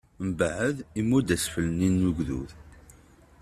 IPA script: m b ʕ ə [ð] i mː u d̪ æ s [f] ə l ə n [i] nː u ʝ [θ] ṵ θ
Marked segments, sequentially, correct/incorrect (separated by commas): correct, correct, correct, incorrect